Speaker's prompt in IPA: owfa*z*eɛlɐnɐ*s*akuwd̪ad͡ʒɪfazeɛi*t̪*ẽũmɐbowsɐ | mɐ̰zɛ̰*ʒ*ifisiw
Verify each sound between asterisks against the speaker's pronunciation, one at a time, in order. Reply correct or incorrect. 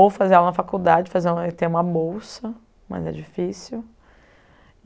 correct, incorrect: f, correct, incorrect: d͡ʒ

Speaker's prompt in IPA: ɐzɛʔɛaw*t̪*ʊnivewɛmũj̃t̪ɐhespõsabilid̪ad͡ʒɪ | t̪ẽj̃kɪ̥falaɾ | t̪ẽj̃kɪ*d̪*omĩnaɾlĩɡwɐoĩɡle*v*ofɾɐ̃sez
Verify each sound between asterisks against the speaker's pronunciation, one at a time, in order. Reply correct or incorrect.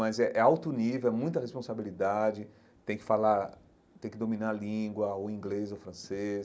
correct, correct, incorrect: z

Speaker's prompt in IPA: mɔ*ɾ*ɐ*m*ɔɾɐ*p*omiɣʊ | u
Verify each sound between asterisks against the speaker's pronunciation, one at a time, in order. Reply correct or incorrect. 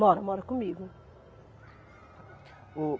correct, correct, incorrect: k

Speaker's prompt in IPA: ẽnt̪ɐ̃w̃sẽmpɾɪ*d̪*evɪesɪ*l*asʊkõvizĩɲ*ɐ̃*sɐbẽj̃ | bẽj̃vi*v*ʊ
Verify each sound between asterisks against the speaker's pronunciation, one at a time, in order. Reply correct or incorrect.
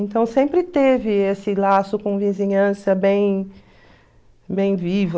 incorrect: t̪, correct, correct, correct

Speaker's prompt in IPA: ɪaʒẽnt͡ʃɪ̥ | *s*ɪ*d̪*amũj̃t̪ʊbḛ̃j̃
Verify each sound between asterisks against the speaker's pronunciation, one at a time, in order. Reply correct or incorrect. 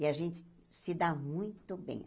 correct, correct

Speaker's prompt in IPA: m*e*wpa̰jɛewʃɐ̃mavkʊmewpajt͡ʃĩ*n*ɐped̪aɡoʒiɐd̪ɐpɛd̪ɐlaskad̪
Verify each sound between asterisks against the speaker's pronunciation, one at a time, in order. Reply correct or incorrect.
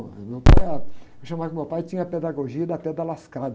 correct, incorrect: ɲ

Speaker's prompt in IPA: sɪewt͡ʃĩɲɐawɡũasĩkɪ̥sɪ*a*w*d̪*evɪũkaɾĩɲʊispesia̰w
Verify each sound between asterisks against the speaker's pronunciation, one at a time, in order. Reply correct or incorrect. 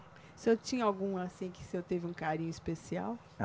incorrect: e, incorrect: t̪

